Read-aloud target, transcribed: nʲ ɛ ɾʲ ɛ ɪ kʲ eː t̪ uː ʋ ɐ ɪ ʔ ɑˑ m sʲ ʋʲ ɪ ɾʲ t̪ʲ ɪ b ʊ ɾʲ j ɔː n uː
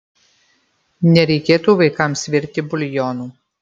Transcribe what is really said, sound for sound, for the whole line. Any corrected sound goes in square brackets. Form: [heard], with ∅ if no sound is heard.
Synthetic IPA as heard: nʲ ɛ ɾʲ ɛ ɪ kʲ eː t̪ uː ʋ ɐ ɪ [k] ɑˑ m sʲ ʋʲ ɪ ɾʲ t̪ʲ ɪ b ʊ [lʲ] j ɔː n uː